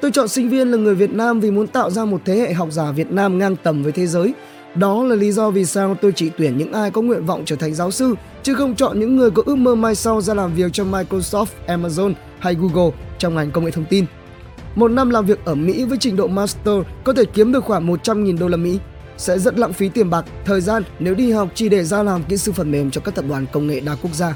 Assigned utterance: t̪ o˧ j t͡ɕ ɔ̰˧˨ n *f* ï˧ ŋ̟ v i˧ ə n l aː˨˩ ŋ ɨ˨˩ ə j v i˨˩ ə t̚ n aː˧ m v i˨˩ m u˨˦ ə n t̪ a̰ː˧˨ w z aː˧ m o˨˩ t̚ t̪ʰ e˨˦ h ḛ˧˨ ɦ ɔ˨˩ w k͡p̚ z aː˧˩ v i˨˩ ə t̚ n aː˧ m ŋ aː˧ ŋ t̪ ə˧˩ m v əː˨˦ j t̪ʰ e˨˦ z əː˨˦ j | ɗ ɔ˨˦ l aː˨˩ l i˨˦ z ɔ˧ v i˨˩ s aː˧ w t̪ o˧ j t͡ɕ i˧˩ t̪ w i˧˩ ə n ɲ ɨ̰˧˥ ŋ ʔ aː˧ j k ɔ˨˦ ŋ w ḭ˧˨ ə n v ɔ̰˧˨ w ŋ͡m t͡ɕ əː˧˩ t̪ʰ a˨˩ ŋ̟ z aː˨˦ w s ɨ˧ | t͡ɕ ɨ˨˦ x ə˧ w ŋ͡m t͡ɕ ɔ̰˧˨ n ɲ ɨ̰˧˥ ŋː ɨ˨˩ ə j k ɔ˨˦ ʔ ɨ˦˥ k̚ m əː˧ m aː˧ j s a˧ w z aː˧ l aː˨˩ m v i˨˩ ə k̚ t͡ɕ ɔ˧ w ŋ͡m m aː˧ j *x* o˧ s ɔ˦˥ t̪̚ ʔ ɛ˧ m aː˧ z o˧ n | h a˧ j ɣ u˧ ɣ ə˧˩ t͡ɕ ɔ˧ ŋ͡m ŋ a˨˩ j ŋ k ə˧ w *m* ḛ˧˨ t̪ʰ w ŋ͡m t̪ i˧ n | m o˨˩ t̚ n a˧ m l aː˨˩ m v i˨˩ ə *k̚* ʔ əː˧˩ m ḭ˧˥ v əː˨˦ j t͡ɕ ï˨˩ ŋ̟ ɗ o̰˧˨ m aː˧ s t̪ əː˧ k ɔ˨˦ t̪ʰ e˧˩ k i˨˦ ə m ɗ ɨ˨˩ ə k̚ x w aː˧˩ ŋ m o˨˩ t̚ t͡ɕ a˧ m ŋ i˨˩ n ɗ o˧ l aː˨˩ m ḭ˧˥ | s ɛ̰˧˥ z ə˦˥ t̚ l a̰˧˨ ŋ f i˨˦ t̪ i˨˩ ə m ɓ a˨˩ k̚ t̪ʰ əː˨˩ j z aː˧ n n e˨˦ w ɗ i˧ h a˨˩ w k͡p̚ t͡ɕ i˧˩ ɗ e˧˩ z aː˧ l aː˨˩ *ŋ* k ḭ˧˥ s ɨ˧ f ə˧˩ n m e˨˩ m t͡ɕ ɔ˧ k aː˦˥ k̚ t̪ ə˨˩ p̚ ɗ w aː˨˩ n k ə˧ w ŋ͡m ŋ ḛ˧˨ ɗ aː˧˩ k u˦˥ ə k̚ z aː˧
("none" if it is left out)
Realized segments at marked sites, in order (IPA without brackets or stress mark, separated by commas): s, k, ŋ, k̚, m